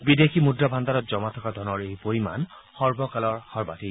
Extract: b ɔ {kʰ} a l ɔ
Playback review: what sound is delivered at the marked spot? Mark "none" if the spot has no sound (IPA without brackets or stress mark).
k